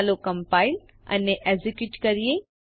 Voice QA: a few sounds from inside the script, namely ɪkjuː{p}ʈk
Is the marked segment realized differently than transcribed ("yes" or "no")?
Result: yes